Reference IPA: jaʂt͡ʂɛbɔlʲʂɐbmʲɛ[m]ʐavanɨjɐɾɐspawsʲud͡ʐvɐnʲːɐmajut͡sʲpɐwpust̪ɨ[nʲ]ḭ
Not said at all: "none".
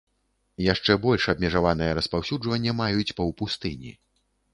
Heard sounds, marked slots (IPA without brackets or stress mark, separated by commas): none, nʲ